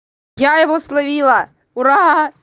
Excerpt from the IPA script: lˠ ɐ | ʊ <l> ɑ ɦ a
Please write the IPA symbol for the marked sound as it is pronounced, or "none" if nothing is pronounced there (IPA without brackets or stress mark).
ɾ